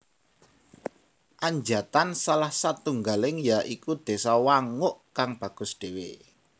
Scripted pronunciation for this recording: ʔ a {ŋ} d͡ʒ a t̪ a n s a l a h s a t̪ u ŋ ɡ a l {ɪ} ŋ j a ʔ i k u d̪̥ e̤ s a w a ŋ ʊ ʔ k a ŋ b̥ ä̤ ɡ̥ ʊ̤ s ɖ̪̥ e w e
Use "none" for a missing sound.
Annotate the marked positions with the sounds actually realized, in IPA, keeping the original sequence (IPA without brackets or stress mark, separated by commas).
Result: ɲ, ɪ